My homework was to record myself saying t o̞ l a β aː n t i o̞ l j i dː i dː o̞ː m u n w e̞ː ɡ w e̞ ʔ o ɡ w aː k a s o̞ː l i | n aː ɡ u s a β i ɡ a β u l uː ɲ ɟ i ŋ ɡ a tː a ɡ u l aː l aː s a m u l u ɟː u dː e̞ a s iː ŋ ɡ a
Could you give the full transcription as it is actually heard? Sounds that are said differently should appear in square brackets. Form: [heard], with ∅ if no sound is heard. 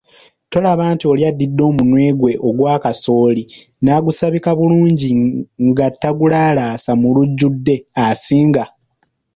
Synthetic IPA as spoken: t o̞ l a β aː n t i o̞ l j [a] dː i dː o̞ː m u n w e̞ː ɡ w e̞ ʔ o ɡ w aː k a s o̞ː l i | n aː ɡ u s a β i [k] a β u l uː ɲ ɟ i ŋ ɡ a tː a ɡ u l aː l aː s a m u l u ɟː u dː e̞ a s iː ŋ ɡ a